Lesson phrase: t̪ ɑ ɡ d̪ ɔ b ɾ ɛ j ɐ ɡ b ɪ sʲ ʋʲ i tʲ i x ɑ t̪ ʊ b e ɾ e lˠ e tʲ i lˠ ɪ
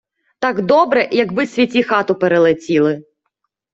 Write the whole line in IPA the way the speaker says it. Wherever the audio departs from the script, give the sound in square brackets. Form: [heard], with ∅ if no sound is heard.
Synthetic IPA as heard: t̪ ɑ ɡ d̪ ɔ b ɾ ɛ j ɐ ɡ b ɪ sʲ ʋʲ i tʲ i x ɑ t̪ ʊ [p] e ɾ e lˠ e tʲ i lˠ ɪ